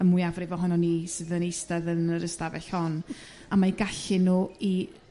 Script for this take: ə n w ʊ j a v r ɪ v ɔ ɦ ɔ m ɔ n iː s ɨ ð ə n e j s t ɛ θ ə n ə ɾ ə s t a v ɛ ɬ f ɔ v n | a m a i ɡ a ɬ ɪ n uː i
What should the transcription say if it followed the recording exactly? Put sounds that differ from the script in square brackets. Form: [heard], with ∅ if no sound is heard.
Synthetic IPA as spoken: ə [m] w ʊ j a v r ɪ v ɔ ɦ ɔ [n] ɔ n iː s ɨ ð ə n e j s t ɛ [ð] ə n ə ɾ ə s t a v ɛ ɬ [h] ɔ [∅] n | a m a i ɡ a ɬ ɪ n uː i